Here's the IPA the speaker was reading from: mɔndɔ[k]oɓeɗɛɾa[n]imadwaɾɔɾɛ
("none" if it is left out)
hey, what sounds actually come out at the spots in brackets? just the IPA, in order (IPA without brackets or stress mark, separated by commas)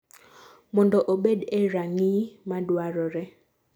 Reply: ʔ, ŋ